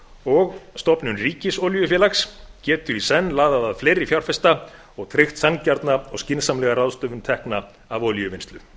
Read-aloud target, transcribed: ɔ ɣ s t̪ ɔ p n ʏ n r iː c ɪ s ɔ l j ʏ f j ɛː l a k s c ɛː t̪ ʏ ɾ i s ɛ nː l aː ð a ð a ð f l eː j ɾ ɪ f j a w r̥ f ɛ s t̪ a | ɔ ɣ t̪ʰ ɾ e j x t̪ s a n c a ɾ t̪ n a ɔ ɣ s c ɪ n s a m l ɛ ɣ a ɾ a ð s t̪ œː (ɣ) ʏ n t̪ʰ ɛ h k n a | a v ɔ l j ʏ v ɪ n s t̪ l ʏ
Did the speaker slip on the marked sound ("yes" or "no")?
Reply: yes